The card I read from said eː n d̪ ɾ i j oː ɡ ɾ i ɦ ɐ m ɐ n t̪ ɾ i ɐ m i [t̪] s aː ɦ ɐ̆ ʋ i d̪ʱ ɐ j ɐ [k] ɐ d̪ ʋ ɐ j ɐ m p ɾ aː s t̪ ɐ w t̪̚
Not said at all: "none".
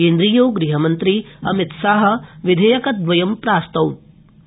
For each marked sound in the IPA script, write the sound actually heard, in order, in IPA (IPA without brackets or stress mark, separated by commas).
t̪, k